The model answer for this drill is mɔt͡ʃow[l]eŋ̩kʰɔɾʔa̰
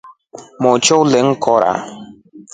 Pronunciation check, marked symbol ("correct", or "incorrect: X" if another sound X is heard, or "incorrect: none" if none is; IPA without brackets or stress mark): correct